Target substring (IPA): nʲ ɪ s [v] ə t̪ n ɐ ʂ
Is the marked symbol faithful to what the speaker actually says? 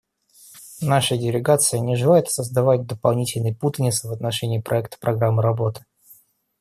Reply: yes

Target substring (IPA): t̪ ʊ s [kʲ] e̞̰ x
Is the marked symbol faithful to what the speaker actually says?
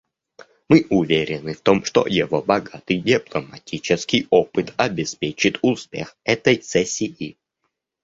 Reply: no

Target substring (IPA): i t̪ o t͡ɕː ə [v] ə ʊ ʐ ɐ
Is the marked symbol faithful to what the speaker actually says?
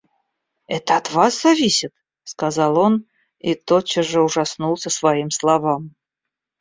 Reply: no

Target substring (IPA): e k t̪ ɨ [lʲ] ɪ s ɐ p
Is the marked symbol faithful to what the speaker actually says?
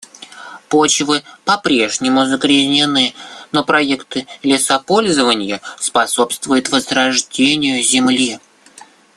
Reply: yes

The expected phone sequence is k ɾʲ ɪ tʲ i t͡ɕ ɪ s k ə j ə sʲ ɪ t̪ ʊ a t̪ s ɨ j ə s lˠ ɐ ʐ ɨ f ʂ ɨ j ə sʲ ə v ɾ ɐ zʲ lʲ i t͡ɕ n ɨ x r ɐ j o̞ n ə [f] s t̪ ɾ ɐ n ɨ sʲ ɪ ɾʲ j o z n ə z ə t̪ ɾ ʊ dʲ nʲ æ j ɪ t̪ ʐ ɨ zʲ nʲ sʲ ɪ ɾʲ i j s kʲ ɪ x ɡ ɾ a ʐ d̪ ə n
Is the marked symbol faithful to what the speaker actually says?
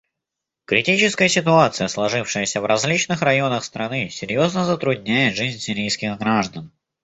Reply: no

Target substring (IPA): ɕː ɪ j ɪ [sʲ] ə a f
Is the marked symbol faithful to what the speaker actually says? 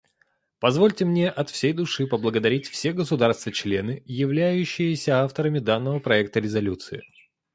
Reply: yes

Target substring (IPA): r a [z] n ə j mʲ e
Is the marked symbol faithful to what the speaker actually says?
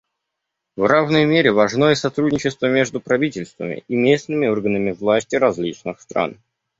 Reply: no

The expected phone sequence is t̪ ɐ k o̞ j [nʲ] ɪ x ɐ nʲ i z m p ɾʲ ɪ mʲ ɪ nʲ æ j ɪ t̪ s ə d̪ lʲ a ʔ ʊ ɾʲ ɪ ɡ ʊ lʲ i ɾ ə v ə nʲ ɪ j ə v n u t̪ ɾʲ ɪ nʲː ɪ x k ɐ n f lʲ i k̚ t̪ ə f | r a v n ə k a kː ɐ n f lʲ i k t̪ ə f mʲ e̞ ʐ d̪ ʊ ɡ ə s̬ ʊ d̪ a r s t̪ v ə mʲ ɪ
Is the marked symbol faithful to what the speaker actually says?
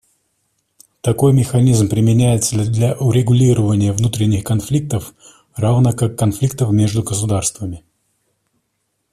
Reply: no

